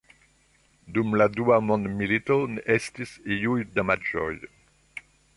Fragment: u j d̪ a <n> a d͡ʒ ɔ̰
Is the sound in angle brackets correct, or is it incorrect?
incorrect